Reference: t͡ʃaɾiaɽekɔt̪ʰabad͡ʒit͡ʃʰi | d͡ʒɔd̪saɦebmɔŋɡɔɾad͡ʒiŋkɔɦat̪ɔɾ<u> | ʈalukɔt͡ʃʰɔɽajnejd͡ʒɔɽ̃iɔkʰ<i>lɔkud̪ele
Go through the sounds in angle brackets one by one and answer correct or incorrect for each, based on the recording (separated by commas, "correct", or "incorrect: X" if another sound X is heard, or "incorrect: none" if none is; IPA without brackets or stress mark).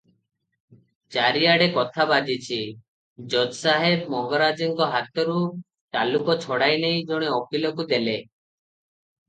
correct, correct